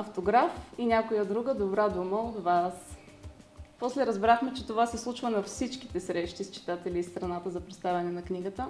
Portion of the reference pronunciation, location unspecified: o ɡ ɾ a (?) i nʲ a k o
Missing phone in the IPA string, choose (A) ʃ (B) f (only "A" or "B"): B